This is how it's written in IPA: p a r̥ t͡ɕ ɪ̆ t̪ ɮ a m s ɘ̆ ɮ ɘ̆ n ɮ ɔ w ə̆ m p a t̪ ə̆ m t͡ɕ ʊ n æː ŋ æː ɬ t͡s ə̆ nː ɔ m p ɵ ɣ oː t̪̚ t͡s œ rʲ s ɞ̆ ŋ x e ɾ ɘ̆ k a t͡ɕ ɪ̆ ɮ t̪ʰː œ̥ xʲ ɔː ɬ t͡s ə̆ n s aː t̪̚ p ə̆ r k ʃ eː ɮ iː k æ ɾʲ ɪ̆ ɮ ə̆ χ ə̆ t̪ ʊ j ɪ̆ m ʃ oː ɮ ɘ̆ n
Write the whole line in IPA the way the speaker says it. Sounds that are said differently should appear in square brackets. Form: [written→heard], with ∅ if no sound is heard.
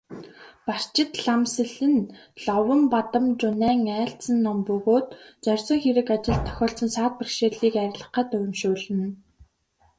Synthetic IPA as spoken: p a r̥ t͡ɕ ɪ̆ t̪ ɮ a m s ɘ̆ ɮ ɘ̆ n ɮ ɔ w ə̆ m p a t̪ ə̆ m t͡ɕ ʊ n æː ŋ æː ɬ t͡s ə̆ nː ɔ m p ɵ ɣ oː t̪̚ t͡s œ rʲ s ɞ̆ ŋ x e ɾ ɘ̆ k a t͡ɕ ɪ̆ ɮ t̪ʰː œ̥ xʲ ɔː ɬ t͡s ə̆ n s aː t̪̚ p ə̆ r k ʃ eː ɮ iː k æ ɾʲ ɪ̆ ɮ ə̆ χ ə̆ t̪ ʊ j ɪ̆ m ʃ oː ɮ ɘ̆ n